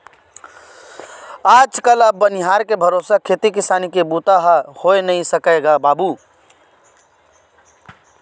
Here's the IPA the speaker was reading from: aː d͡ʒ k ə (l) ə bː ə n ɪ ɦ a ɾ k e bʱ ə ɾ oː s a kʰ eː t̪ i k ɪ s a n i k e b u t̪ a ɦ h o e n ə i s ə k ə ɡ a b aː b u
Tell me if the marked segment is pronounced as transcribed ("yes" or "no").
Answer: yes